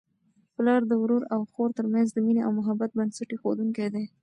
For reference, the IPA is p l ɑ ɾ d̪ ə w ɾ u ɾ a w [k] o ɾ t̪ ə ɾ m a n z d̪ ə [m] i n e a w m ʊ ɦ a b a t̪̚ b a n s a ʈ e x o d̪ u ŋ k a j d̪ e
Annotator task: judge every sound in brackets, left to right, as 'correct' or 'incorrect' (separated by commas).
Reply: incorrect, correct